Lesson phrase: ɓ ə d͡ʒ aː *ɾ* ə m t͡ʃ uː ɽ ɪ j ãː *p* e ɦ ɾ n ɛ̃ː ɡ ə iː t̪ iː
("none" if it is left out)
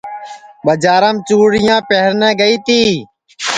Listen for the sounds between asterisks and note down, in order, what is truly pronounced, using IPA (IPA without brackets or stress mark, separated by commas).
ɾ, p